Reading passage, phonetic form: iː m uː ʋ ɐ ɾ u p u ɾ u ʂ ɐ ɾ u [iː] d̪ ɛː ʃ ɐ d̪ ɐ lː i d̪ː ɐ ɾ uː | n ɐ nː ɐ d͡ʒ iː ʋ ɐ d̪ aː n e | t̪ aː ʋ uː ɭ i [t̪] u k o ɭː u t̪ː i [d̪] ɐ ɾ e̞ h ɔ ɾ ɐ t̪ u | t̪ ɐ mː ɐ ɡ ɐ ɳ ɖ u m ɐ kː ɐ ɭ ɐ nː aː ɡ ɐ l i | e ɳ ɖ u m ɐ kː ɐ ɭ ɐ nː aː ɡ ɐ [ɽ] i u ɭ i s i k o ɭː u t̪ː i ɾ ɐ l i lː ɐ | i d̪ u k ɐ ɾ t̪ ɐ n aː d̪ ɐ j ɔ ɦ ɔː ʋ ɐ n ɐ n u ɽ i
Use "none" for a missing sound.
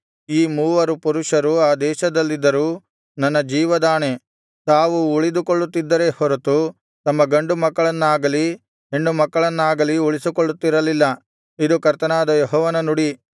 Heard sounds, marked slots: aː, d̪, d̪ː, l

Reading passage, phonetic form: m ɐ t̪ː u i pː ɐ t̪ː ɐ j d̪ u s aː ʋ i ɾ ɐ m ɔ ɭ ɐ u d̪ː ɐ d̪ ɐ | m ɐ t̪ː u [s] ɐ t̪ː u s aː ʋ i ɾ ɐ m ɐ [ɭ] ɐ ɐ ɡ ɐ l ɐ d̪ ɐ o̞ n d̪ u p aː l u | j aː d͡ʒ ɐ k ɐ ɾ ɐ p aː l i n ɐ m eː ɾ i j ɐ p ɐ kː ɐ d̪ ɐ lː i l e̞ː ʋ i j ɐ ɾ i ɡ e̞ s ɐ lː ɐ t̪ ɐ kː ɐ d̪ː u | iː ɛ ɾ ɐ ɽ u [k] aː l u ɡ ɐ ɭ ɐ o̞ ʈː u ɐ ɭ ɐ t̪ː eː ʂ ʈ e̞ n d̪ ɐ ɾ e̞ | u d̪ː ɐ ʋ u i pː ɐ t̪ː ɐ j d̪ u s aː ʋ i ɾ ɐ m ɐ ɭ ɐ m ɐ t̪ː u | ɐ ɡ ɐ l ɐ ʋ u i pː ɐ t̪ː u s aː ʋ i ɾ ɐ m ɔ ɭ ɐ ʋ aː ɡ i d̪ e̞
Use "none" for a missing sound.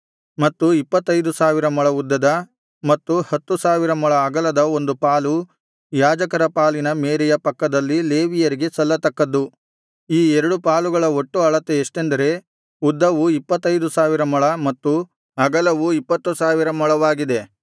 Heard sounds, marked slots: h, ɭ, p

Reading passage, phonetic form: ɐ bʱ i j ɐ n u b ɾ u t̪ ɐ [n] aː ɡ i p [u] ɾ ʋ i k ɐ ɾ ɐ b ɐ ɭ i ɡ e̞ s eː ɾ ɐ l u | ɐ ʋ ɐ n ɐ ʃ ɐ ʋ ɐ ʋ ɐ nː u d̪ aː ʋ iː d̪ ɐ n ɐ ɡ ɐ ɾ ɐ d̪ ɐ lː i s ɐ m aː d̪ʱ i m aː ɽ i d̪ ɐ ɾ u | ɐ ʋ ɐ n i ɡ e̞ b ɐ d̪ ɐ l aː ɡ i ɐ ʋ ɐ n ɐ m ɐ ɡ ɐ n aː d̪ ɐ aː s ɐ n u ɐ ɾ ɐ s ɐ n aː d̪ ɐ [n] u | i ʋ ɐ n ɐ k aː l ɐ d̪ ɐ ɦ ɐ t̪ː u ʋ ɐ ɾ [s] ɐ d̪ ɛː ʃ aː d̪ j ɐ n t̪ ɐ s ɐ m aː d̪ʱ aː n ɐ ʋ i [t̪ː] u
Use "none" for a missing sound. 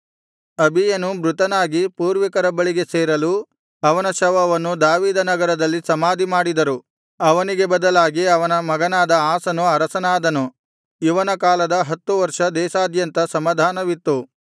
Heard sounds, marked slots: n, uː, n, ʂ, t̪ː

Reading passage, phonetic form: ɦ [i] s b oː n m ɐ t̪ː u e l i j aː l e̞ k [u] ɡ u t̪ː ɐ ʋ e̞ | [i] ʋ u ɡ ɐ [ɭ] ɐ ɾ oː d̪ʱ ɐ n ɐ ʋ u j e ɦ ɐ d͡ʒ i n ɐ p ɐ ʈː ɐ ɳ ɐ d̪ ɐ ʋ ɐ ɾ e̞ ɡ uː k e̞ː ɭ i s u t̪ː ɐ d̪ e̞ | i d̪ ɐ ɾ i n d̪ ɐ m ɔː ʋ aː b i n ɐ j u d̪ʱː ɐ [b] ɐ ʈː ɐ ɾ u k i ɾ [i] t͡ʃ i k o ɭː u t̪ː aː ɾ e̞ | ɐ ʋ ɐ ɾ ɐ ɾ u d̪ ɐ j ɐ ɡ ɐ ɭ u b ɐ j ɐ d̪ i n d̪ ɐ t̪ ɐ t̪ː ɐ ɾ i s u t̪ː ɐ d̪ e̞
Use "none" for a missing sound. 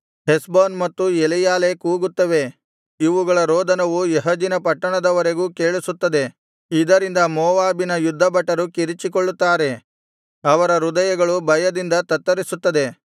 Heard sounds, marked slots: e, uː, i, ɭ, b, i

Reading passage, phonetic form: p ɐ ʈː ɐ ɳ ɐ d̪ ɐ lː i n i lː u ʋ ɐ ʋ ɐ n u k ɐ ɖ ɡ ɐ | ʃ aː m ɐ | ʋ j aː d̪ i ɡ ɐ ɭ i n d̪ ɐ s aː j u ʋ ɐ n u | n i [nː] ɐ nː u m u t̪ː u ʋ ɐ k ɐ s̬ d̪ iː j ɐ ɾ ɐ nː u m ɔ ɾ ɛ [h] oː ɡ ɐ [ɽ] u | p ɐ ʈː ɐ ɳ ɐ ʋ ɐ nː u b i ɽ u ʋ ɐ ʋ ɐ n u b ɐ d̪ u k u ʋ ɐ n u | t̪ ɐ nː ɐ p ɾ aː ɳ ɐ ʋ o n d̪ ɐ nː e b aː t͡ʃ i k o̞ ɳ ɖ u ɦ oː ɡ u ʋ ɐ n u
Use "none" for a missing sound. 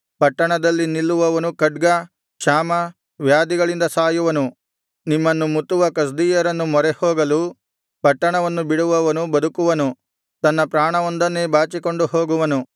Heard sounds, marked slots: mː, h, l

